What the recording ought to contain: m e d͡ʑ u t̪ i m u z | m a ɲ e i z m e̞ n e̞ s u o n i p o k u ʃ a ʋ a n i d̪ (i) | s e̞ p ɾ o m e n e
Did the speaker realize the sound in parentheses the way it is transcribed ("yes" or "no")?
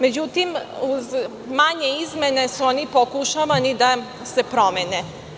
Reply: no